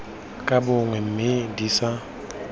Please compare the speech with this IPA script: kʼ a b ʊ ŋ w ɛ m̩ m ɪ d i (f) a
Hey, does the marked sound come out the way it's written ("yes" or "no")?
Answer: no